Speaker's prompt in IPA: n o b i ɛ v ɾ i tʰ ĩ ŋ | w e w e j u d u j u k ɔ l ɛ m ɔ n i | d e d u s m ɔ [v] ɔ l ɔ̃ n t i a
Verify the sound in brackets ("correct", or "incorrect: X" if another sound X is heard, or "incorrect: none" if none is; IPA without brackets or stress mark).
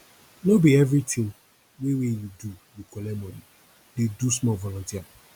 correct